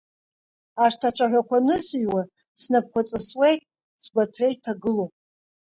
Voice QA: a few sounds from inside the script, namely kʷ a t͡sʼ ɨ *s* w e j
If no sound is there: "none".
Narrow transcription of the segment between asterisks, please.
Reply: s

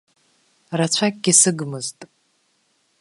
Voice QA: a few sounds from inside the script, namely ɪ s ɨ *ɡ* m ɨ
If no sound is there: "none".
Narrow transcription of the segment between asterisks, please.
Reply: ɡ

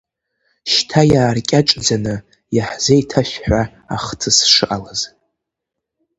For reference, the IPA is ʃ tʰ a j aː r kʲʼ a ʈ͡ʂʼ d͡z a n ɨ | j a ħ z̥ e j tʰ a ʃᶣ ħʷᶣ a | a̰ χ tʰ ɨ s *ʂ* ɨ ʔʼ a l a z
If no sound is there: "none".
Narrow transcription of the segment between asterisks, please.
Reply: ʂ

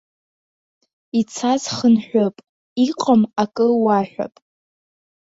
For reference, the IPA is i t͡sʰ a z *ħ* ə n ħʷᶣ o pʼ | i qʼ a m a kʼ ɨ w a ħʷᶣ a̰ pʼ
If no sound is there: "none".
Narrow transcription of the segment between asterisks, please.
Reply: χ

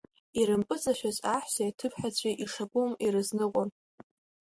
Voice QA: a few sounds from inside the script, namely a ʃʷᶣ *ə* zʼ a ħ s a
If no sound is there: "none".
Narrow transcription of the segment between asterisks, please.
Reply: a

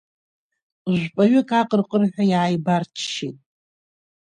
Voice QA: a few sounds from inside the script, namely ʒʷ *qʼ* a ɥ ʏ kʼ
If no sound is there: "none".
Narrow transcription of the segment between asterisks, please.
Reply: pʼ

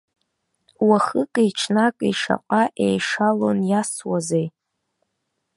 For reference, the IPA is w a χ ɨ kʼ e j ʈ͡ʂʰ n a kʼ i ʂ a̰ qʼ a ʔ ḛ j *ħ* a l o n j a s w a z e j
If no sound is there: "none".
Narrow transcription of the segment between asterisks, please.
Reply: ʂ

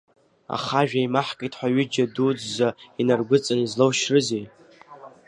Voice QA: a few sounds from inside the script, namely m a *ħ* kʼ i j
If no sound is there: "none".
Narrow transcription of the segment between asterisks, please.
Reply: ħ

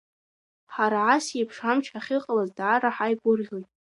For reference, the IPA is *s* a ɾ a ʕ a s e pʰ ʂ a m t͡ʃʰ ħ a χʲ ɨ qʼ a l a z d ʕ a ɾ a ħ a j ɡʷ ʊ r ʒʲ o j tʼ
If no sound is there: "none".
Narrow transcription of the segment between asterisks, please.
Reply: ħ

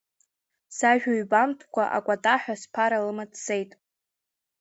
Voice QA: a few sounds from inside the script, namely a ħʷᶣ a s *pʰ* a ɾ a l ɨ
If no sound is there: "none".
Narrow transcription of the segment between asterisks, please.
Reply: pʰ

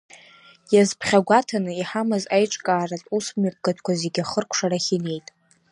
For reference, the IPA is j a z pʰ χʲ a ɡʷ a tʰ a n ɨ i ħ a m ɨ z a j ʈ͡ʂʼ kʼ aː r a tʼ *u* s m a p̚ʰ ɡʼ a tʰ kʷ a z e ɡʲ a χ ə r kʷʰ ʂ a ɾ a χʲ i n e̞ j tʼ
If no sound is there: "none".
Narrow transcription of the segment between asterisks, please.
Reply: u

